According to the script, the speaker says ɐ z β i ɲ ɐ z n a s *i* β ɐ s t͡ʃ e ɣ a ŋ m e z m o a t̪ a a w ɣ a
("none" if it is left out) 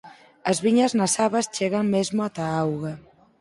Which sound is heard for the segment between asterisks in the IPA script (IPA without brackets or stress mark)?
a